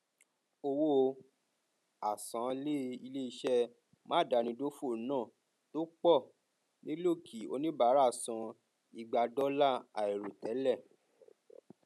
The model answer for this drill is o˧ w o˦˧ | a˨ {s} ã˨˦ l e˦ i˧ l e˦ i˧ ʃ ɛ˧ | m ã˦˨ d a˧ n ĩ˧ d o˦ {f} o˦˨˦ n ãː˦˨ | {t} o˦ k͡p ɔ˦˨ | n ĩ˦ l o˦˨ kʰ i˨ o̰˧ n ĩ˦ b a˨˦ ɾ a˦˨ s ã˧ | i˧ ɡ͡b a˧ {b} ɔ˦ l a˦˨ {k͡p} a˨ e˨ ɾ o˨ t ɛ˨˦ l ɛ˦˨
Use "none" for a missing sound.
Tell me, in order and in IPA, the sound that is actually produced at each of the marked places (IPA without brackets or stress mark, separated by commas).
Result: s, f, t, d, none